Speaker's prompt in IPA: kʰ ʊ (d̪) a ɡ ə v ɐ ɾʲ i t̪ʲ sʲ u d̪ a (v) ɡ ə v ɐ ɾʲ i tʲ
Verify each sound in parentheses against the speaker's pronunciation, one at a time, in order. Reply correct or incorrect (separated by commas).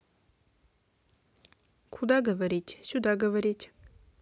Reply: correct, incorrect